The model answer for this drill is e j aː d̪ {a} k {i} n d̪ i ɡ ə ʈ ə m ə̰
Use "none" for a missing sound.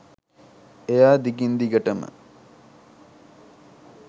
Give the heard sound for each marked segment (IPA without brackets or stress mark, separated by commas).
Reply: i, i